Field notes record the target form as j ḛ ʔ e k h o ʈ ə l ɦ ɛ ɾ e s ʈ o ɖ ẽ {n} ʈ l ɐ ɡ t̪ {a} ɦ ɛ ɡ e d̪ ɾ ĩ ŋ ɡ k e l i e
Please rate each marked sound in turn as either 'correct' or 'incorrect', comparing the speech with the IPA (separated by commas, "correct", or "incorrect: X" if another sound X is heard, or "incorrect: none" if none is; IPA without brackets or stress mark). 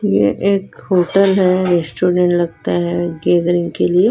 incorrect: ɳ, correct